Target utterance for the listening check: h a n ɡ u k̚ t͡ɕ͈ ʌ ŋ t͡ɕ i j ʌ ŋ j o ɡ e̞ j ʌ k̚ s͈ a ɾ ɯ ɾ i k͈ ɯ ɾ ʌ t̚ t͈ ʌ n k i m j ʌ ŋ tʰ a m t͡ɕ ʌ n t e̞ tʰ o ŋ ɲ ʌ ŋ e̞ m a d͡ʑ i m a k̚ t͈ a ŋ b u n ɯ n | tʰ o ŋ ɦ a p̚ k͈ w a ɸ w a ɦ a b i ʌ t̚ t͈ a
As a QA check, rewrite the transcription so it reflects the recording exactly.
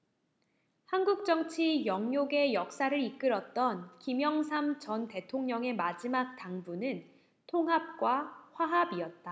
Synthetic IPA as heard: h a n ɡ u k̚ t͡ɕ͈ ʌ ŋ t͡ɕʰ i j ʌ ŋ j o ɡ e̞ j ʌ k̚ s͈ a ɾ ɯ ɾ i k͈ ɯ ɾ ʌ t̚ t͈ ʌ n k i m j ʌ ŋ sʰ a m t͡ɕ ʌ n t e̞ tʰ o ŋ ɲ ʌ ŋ e̞ m a d͡ʑ i m a k̚ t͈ a ŋ b u n ɯ n | tʰ o ŋ ɦ a p̚ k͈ w a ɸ w a ɦ a b i ʌ t̚ t͈ a